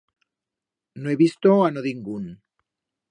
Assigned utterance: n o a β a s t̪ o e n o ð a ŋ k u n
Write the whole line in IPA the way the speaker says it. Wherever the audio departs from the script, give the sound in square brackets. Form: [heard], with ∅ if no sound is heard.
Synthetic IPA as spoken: n o [e] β [i] s t̪ o [a] n o ð [i] ŋ [ɡ] u n